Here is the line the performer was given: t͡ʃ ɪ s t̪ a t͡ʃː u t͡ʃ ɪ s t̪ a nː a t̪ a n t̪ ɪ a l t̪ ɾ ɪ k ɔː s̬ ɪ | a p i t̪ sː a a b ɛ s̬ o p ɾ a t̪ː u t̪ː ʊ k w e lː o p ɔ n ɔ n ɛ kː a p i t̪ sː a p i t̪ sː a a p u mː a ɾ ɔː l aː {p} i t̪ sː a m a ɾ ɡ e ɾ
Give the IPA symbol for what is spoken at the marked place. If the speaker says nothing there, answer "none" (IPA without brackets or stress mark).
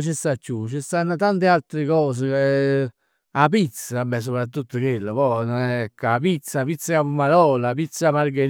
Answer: p